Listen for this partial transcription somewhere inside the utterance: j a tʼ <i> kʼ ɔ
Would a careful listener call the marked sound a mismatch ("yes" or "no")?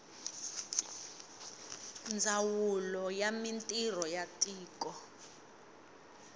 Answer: yes